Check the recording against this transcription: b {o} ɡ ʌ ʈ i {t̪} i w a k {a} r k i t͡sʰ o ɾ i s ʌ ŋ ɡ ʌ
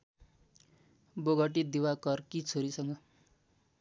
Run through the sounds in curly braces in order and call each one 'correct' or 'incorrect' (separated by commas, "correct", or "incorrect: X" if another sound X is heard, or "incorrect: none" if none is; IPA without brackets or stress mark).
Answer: correct, incorrect: d̪, incorrect: ʌ